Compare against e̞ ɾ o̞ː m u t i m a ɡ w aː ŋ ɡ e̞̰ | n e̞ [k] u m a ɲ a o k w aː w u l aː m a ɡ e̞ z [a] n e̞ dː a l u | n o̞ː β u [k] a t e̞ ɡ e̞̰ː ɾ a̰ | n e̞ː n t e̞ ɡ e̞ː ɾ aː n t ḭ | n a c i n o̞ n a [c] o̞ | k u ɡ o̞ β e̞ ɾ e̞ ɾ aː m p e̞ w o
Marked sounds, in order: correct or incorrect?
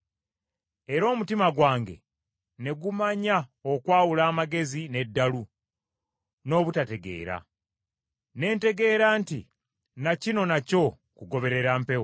incorrect: ɡ, incorrect: i, incorrect: t, correct

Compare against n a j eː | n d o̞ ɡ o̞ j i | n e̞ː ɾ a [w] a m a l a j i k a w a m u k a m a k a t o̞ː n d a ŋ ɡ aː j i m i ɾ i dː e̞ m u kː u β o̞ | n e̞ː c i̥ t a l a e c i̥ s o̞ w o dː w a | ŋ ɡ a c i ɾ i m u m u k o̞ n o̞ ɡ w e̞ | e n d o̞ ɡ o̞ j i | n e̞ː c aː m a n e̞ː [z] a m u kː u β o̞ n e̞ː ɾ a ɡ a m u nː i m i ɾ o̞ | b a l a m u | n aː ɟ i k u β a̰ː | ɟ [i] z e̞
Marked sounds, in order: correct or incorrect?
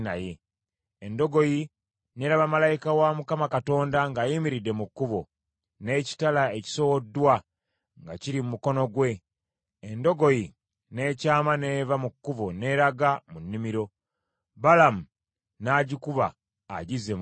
incorrect: β, incorrect: v, correct

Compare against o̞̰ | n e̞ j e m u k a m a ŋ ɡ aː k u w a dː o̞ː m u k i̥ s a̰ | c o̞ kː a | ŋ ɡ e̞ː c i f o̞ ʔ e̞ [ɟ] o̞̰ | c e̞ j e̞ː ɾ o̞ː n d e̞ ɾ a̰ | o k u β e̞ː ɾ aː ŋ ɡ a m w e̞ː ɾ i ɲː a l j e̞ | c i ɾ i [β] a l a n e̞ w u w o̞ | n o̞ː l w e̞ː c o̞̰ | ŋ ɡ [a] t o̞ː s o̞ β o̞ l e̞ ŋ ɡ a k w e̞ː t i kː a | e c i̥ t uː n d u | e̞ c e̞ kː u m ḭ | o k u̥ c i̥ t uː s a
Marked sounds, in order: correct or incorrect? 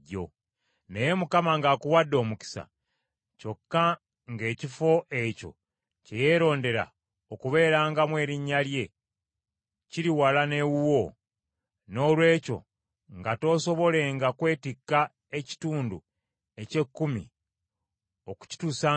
incorrect: c, incorrect: w, correct

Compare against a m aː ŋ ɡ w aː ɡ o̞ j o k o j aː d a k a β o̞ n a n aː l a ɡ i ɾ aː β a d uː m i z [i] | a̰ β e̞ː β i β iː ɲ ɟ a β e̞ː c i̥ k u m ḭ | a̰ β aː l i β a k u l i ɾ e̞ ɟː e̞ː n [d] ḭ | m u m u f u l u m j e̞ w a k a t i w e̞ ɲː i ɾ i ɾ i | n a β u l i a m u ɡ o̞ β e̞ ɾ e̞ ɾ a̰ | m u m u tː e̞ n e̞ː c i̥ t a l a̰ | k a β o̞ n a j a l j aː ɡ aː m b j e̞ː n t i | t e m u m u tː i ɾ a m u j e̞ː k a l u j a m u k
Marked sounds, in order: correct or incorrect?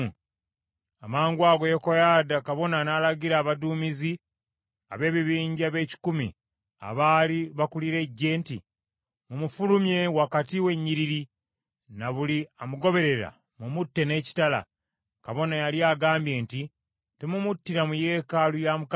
correct, incorrect: t

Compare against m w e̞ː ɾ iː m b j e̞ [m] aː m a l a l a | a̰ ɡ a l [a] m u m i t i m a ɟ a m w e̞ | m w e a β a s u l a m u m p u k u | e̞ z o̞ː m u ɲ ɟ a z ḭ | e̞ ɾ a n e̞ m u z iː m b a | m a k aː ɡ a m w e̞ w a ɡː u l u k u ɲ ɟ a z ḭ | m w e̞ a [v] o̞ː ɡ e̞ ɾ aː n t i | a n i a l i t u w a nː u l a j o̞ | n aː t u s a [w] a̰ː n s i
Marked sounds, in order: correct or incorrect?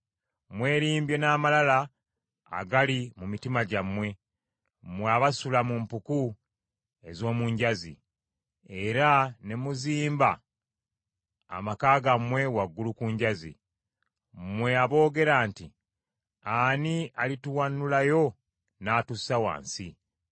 incorrect: n, incorrect: i, incorrect: β, correct

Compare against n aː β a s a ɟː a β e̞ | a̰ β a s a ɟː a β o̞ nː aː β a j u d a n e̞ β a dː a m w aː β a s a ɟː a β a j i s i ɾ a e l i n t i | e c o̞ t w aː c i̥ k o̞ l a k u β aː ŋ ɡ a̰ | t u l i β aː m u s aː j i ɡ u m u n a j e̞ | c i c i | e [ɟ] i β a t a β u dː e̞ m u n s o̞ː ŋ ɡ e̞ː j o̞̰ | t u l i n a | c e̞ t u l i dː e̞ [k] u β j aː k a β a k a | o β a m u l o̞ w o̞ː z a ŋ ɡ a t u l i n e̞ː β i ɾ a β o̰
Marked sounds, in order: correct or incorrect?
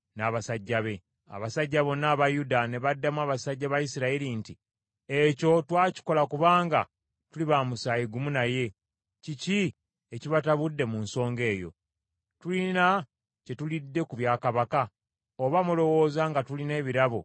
incorrect: c, correct

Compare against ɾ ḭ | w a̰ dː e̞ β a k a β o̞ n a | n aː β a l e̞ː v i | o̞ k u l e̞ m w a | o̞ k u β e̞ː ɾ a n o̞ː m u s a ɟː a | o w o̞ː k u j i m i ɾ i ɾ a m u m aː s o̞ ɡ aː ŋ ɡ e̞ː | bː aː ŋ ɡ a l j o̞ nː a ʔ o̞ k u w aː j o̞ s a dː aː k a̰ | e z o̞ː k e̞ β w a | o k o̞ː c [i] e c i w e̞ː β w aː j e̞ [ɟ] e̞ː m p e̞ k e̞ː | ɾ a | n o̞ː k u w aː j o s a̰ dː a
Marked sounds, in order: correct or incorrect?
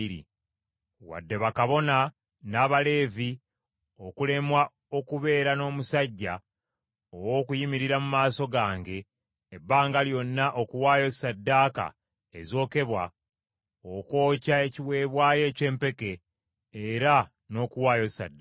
incorrect: a, incorrect: c

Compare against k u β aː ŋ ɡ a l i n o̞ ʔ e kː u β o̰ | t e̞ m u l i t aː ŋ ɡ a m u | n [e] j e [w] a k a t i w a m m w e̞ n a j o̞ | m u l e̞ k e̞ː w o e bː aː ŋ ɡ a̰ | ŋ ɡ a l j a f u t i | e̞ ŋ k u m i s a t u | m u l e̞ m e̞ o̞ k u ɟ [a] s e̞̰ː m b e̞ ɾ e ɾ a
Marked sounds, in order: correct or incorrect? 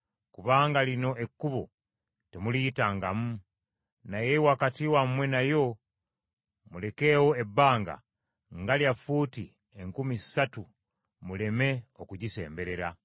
incorrect: a, correct, incorrect: i

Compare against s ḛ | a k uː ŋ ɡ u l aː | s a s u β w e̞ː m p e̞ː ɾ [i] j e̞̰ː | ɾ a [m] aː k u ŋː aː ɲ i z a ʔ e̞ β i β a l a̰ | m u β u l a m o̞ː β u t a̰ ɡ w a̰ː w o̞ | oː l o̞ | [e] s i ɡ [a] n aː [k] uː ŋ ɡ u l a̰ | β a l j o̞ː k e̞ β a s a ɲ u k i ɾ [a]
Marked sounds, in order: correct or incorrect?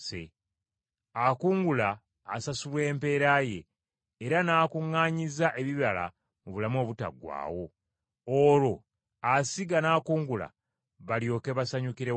incorrect: a, incorrect: n, incorrect: a, correct, correct, incorrect: e

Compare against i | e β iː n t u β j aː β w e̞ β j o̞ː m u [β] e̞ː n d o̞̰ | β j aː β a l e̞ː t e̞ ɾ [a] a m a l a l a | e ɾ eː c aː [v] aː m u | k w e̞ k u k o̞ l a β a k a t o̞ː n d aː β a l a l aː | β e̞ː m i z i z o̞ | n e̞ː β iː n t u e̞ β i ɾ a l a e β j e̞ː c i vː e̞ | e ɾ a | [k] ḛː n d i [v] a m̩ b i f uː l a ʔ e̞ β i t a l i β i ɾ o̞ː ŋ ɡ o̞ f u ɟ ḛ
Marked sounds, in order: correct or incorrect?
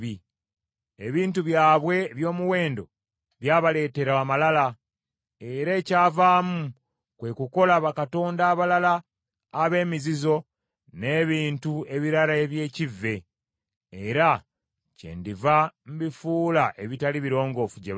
incorrect: w, correct, correct, incorrect: c, correct

